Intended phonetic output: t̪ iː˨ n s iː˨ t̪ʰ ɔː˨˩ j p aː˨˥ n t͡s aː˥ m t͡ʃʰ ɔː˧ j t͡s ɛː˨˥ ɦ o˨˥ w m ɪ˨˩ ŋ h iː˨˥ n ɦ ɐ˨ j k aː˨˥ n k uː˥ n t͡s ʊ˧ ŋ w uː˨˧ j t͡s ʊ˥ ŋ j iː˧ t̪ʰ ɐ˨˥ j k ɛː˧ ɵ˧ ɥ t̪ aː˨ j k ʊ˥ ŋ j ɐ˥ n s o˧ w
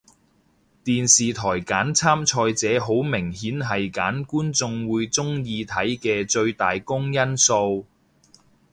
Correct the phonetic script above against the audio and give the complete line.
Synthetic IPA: t̪ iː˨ n s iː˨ t̪ʰ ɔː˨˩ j k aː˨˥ n t͡sʰ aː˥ m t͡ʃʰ ɔː˧ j t͡s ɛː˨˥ ɦ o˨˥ w m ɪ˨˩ ŋ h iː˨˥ n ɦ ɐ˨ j k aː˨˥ n k uː˥ n t͡s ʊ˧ ŋ w uː˨˧ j t͡s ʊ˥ ŋ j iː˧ t̪ʰ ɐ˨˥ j k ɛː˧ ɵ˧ ɥ t̪ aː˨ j k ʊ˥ ŋ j ɐ˥ n s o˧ w